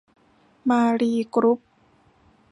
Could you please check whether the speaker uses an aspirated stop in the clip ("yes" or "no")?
no